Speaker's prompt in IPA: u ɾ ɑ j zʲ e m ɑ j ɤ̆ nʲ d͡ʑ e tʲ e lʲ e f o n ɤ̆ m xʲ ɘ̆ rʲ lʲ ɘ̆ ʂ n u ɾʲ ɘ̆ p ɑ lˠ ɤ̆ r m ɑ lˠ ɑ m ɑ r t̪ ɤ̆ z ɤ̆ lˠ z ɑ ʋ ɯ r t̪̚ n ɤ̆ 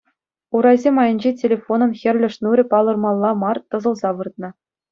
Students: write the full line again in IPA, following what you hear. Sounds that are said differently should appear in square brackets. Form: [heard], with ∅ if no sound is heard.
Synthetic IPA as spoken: u ɾ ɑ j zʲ e m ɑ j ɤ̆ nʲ d͡ʑ e tʲ e lʲ e f o n ɤ̆ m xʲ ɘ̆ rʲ lʲ ɘ̆ ʂ n u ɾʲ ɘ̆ p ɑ lˠ ɤ̆ r m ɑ [lˠː] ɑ m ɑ r t̪ ɤ̆ z ɤ̆ lˠ z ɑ ʋ ɯ r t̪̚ n ɤ̆